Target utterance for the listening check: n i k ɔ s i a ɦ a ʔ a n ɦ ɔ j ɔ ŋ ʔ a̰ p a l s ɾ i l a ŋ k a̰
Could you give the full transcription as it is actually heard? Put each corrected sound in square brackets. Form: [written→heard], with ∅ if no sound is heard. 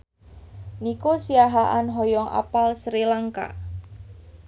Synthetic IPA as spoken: n i k [ɔ→o] s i a ɦ a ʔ a n ɦ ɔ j ɔ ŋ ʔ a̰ p a l s ɾ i l a ŋ k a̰